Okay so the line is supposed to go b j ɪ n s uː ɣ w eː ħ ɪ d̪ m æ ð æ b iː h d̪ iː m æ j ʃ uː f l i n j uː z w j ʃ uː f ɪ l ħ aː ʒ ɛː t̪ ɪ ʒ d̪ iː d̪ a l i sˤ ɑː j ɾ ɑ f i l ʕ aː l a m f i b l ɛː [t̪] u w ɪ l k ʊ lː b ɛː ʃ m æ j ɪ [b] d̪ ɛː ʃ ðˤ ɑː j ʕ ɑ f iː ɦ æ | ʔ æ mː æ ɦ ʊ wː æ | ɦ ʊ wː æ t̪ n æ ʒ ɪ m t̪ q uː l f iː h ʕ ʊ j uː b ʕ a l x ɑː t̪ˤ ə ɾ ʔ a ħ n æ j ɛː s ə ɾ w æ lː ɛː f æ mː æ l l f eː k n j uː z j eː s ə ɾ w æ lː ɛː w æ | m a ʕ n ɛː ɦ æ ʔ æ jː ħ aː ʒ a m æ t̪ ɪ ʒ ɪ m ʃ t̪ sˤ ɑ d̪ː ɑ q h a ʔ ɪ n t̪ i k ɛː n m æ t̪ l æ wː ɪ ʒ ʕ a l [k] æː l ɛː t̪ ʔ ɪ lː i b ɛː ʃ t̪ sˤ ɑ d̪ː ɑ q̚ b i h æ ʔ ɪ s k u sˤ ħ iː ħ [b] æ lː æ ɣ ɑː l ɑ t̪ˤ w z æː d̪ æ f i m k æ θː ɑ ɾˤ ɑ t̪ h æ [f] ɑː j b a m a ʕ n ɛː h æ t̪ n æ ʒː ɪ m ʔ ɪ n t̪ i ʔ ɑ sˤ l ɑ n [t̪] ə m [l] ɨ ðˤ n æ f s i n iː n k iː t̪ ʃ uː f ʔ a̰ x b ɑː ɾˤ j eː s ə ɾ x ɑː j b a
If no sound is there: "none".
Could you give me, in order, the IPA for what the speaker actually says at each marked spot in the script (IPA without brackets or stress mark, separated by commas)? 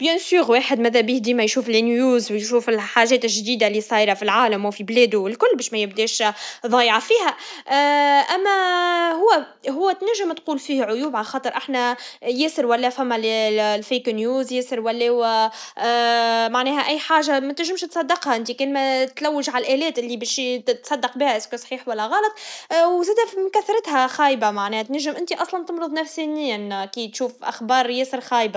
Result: d̪, b, ʔ, w, x, t̪, ɾ